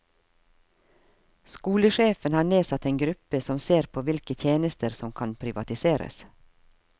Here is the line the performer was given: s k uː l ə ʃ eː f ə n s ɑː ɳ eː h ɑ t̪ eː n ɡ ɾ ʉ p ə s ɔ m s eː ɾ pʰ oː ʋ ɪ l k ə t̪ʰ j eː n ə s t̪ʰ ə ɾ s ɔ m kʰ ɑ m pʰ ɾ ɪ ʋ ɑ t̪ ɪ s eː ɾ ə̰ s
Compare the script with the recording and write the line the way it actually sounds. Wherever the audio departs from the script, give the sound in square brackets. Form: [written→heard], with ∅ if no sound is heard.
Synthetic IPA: s k uː l ə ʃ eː f ə n [s→h] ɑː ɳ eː [h→s] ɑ t̪ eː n ɡ ɾ ʉ p ə s ɔ m s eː ɾ pʰ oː ʋ ɪ l k ə t̪ʰ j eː n ə s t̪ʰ ə ɾ s ɔ m kʰ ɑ [m→n] pʰ ɾ ɪ ʋ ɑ t̪ ɪ s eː ɾ ə̰ s